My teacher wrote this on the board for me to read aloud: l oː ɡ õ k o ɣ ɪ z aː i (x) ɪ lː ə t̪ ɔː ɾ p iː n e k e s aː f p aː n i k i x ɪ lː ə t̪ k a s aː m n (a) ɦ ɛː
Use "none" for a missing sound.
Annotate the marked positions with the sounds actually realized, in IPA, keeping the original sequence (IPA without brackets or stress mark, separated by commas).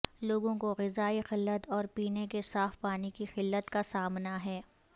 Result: x, a